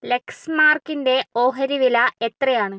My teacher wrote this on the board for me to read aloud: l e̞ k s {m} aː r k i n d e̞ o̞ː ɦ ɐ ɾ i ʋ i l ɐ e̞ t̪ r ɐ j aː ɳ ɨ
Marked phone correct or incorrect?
correct